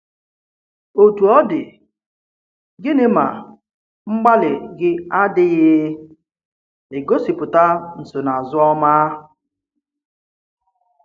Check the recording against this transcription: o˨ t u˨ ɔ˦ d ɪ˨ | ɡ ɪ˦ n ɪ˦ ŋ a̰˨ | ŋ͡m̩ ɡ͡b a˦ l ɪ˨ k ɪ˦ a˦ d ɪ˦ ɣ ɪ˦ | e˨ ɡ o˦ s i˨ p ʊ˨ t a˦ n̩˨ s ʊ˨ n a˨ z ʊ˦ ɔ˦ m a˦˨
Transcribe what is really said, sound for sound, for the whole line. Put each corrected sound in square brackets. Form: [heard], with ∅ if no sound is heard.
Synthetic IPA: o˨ t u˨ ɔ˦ d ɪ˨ | ɡ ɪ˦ n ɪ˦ [m] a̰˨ | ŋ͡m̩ ɡ͡b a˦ l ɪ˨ [ɡ] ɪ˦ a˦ d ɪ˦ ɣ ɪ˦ | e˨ ɡ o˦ s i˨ p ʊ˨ t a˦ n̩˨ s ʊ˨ n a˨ z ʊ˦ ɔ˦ m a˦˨